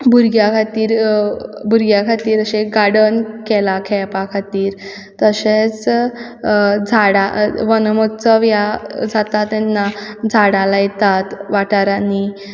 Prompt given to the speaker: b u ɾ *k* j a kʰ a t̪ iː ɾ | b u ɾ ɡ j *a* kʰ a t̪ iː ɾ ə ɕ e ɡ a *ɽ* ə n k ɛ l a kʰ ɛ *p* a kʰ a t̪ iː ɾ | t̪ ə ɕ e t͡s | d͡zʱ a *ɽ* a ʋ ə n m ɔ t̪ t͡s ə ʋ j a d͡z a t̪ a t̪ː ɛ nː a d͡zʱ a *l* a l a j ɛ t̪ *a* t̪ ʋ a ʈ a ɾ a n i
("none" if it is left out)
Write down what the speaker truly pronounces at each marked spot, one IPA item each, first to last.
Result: ɡ, a, ɽ, p, ɽ, ɽ, a

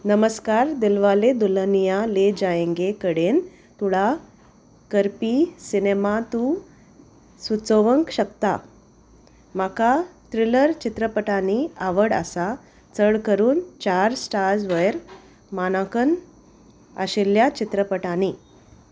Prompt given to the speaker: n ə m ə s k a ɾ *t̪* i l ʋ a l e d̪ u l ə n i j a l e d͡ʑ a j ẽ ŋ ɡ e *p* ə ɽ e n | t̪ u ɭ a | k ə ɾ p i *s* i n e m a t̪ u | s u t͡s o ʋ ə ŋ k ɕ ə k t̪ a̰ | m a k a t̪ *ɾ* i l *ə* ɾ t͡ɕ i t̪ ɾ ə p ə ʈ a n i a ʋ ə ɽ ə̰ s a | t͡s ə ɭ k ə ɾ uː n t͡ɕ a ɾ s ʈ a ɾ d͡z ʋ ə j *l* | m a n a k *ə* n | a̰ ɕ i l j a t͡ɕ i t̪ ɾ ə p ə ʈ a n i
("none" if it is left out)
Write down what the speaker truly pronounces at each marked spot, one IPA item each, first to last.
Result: d̪, k, s, ɾ, ə, ɾ, ə

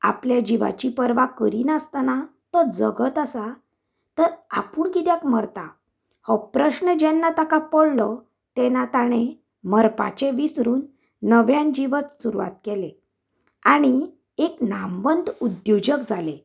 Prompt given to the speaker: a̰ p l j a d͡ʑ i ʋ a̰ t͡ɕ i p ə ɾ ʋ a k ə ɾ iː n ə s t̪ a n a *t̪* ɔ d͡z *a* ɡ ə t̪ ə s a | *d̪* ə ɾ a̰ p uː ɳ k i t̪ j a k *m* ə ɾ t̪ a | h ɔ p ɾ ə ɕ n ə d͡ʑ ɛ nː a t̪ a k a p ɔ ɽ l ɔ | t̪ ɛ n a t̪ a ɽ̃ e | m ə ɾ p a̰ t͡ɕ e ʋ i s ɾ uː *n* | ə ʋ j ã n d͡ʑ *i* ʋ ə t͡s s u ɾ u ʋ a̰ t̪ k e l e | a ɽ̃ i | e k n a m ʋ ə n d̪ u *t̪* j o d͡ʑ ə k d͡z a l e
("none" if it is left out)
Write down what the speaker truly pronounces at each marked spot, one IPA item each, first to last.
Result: t̪, ə, t̪, m, nː, i, d̪

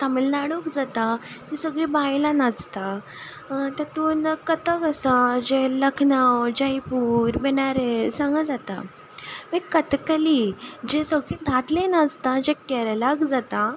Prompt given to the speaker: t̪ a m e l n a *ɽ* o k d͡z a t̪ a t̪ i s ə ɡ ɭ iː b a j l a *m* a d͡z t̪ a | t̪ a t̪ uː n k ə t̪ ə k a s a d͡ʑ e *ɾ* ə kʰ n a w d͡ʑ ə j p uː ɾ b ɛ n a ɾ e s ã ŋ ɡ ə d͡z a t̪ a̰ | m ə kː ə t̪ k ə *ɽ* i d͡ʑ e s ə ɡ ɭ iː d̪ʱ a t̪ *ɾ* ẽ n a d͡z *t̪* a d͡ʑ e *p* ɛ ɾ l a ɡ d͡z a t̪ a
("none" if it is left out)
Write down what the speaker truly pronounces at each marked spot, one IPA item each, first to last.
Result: ɽ, n, l, l, l, t̪, k

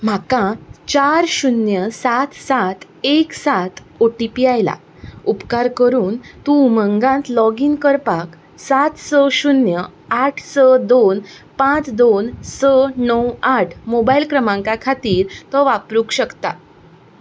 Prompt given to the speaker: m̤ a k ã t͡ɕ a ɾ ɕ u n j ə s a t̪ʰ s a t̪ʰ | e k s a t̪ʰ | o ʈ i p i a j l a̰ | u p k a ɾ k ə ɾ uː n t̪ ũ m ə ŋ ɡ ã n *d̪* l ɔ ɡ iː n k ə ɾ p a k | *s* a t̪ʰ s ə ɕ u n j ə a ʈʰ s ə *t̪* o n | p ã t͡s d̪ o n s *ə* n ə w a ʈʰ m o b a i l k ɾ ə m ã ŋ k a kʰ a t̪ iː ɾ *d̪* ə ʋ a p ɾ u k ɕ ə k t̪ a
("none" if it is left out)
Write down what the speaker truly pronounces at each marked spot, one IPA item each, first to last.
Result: t̪, s, d̪, ə, t̪

